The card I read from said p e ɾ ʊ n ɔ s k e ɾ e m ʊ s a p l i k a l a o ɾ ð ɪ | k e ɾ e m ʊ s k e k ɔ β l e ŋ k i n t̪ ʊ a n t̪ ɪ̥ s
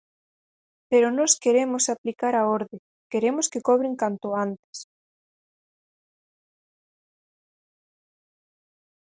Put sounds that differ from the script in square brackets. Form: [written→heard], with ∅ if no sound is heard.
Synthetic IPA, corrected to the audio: p e ɾ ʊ n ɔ s k e ɾ e m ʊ s a p l i k a [l→ɾ] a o ɾ ð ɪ | k e ɾ e m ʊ s k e k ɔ β [l→ɾ] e ŋ k [i→a] n t̪ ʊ a n t̪ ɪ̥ s

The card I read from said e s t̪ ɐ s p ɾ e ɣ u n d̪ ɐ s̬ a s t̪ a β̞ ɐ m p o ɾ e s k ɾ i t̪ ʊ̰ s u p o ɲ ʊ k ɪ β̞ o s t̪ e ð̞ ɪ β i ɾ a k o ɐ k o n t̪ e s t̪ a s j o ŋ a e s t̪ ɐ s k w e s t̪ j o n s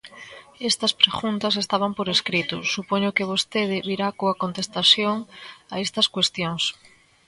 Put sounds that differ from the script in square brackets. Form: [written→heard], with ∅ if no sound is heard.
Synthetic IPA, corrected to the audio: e s t̪ ɐ s p ɾ e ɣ u n [d̪→t̪] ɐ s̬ [a→e] s t̪ a β̞ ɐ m p o ɾ e s k ɾ i t̪ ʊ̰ s u p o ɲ ʊ k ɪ β̞ o s t̪ e ð̞ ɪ β i ɾ a k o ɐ k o n t̪ e s t̪ a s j o ŋ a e s t̪ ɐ s k w e s t̪ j o [n→ŋ] s

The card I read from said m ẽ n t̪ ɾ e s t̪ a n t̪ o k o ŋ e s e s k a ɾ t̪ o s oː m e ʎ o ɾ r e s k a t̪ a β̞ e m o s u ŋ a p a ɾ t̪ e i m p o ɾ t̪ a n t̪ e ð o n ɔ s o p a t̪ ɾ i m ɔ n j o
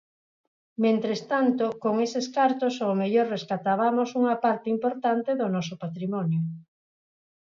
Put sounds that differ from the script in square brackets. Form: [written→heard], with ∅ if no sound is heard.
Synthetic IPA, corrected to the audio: m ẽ n t̪ ɾ e s t̪ a n t̪ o k o ŋ e s e s k a ɾ t̪ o s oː m e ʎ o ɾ r e s k a t̪ a β̞ [e→a] m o s u ŋ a p a ɾ t̪ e i m p o ɾ t̪ a n t̪ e ð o n ɔ s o p a t̪ ɾ i m ɔ n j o

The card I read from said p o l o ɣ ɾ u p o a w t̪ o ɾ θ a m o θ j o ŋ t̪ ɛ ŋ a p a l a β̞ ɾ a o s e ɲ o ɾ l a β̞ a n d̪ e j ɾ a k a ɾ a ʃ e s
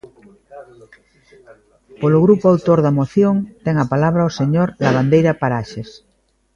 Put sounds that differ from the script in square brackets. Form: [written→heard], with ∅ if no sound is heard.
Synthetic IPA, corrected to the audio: p o l o ɣ ɾ u p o a w t̪ o ɾ [θ→ð] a m o θ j o ŋ t̪ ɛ ŋ a p a l a β̞ ɾ a o s e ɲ o ɾ l a β̞ a n d̪ e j ɾ a [k→p] a ɾ a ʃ e s

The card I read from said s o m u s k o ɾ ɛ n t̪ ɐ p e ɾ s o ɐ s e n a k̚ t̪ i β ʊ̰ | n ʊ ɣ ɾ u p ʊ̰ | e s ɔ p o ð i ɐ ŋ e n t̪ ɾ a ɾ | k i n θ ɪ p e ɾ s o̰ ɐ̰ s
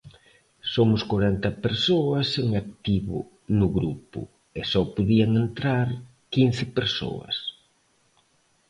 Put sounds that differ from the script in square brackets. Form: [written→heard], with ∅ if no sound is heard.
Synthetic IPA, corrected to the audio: s o m [u→ʊ] s k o ɾ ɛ n t̪ ɐ p e ɾ s o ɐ s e [n→ŋ] a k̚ t̪ i β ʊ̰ | n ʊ ɣ ɾ u p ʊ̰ | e s ɔ p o ð i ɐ ŋ e n t̪ ɾ a ɾ | k i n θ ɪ p e ɾ s o̰ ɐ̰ s

